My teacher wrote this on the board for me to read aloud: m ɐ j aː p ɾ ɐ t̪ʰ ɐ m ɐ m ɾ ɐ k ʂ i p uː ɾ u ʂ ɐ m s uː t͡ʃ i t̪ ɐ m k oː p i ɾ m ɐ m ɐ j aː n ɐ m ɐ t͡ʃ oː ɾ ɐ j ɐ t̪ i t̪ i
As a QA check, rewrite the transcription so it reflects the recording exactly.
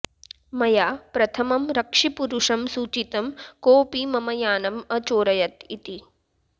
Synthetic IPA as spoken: m ɐ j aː p ɾ ɐ t̪ʰ ɐ m ɐ m ɾ ɐ k ʂ i p u ɾ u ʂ ɐ m s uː t͡ʃ i t̪ ɐ m k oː p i m ɐ m ɐ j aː n ɐ m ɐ t͡ʃ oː ɾ ɐ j ɐ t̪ i t̪ i